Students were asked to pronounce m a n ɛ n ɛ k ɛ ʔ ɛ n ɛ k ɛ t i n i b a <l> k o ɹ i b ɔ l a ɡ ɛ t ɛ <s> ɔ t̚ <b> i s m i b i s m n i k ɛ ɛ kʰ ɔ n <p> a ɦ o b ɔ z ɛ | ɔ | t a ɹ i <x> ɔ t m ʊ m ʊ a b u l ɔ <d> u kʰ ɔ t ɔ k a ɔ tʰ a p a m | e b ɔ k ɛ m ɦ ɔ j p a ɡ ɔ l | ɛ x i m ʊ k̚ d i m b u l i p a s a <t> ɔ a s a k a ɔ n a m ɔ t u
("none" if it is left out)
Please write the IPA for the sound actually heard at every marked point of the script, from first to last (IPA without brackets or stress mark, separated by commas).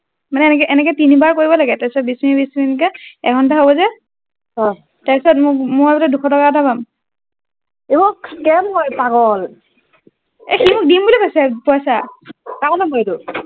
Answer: ɹ, s, b, t, s, d, p